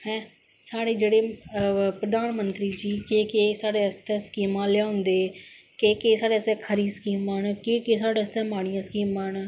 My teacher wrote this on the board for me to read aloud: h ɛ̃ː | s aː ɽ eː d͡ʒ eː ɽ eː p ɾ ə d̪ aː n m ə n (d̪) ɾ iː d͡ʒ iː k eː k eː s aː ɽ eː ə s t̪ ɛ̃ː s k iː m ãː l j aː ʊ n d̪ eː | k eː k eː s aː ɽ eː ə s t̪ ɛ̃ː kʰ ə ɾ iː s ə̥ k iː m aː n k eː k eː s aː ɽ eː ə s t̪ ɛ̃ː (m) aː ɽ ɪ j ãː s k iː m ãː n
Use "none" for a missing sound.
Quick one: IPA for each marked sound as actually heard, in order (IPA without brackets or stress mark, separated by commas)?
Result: t̪, m